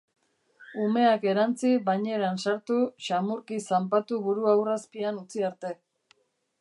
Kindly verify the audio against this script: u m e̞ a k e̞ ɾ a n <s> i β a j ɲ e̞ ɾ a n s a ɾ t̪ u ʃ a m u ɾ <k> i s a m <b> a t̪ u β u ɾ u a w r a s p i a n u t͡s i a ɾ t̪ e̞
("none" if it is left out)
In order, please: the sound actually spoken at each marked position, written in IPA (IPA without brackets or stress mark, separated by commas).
t͡s, k, p